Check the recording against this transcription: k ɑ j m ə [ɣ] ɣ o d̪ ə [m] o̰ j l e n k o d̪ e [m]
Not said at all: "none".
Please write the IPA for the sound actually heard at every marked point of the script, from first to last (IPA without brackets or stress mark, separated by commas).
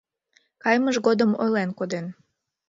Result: ʒ, m, n